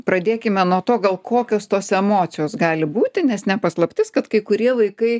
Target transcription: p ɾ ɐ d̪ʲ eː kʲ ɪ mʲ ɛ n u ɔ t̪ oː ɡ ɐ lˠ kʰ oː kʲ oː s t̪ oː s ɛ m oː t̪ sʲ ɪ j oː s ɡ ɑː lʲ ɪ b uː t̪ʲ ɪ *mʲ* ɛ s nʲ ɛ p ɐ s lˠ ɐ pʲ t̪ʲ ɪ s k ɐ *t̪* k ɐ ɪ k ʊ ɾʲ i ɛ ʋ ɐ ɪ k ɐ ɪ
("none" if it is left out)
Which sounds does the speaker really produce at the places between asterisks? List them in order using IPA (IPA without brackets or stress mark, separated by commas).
nʲ, t̪